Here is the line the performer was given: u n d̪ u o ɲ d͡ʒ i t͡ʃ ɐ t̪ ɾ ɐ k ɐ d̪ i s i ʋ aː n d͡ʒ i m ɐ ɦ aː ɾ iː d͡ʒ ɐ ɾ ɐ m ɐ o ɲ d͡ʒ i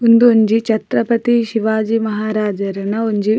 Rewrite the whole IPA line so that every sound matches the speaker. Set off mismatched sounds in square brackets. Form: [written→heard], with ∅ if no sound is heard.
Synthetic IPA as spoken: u n d̪ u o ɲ d͡ʒ i t͡ʃ ɐ t̪ ɾ ɐ [k→p] ɐ [d̪→t̪] i [s→ʃ] i ʋ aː [n→∅] d͡ʒ i m ɐ ɦ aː ɾ [iː→aː] d͡ʒ ɐ ɾ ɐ [m→n] ɐ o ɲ d͡ʒ i

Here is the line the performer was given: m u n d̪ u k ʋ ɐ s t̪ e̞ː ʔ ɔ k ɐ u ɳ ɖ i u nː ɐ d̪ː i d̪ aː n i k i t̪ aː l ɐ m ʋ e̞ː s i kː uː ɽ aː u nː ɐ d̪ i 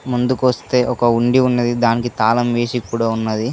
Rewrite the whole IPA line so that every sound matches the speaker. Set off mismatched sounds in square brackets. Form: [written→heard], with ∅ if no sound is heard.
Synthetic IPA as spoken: m u n d̪ u k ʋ ɐ s t̪ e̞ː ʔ ɔ k ɐ u ɳ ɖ i u nː ɐ [d̪ː→d̪] i d̪ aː n i k i t̪ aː l ɐ m ʋ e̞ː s i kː uː ɽ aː u nː ɐ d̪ i

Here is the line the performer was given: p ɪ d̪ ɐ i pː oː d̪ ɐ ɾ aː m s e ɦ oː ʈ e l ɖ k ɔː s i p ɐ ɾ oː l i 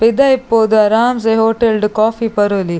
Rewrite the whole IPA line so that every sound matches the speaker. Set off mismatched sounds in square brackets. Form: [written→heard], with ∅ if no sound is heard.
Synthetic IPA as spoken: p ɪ d̪ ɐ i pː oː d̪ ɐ ɾ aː m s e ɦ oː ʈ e l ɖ k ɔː [s→f] i p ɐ ɾ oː l i

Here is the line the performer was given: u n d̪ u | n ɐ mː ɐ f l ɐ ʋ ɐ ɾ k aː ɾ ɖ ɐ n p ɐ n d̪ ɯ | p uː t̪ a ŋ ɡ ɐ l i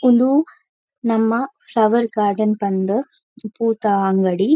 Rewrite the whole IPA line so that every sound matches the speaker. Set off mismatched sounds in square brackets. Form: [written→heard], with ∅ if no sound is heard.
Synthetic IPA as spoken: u n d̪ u | n ɐ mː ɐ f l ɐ ʋ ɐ ɾ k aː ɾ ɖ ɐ n p ɐ n d̪ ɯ | p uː t̪ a ŋ ɡ ɐ [l→ɽ] i

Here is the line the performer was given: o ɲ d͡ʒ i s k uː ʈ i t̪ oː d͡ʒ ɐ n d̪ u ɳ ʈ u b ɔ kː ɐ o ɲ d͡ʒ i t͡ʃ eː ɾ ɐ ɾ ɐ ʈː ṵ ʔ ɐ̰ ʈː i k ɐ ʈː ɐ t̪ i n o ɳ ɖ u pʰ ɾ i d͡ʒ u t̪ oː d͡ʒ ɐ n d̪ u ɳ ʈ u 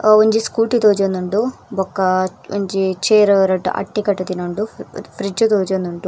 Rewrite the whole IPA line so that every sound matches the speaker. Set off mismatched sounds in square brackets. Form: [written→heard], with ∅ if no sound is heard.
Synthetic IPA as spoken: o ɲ d͡ʒ i s k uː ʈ i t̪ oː d͡ʒ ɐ n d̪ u ɳ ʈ u b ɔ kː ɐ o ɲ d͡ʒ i t͡ʃ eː ɾ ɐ ɾ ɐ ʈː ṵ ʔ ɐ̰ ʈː i k ɐ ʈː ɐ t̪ i n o ɳ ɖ u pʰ ɾ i d͡ʒ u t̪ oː d͡ʒ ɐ n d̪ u ɳ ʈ u

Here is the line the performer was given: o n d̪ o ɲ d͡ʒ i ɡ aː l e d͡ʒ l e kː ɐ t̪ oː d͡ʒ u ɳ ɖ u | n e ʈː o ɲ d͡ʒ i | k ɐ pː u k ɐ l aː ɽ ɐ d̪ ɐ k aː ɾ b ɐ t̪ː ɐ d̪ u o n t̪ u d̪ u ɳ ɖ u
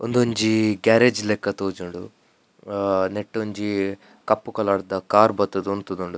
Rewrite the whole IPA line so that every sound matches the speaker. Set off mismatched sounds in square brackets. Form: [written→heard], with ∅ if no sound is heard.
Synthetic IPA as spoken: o n d̪ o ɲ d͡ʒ i ɡ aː [l→ɾ] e d͡ʒ l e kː ɐ t̪ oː d͡ʒ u ɳ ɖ u | n e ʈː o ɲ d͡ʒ i | k ɐ pː u k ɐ l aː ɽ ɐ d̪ ɐ k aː ɾ b ɐ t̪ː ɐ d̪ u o n t̪ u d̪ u ɳ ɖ u

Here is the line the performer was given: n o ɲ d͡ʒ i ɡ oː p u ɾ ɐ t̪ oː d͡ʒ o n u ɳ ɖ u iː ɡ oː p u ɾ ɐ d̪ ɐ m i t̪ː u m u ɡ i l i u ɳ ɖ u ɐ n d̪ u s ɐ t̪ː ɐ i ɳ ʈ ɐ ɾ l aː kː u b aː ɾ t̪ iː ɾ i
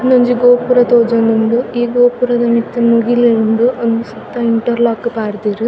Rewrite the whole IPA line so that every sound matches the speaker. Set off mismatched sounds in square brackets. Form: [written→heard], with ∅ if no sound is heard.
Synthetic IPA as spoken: n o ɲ d͡ʒ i ɡ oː p u ɾ ɐ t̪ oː d͡ʒ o n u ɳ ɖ u iː ɡ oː p u ɾ ɐ d̪ ɐ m i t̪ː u m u ɡ i l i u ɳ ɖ u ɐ n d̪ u s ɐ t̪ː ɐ i ɳ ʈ ɐ ɾ l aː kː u [b→p] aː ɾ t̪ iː ɾ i

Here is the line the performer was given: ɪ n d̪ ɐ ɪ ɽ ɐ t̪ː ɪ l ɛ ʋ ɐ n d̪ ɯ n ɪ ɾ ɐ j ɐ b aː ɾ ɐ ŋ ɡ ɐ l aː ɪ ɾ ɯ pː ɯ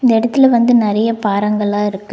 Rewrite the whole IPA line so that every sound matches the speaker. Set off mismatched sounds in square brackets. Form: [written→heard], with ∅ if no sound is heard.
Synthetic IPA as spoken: ɪ n d̪ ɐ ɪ ɽ ɐ t̪ː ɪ l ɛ ʋ ɐ n d̪ ɯ n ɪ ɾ ɐ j ɐ [b→p] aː ɾ ɐ ŋ ɡ ɐ [l→ɭ] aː ɪ ɾ ɯ [pː→kː] ɯ

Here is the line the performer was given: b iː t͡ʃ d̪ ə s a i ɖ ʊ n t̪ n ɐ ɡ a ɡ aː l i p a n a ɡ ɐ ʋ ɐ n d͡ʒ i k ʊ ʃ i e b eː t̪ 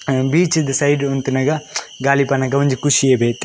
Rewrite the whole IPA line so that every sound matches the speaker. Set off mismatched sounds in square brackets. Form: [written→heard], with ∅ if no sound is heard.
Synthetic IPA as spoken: b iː t͡ʃ d̪ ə s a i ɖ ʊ n t̪ n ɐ ɡ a ɡ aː l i p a n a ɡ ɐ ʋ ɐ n d͡ʒ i k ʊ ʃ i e b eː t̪

